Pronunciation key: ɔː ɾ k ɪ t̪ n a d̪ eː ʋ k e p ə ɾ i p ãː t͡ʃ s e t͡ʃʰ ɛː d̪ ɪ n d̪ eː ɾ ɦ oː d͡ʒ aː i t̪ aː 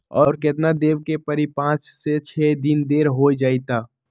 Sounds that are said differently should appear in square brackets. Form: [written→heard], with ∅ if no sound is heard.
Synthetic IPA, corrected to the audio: ɔː ɾ k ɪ t̪ n a d̪ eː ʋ k e p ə ɾ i p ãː t͡ʃ s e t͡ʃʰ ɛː d̪ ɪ n d̪ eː ɾ ɦ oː d͡ʒ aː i t̪ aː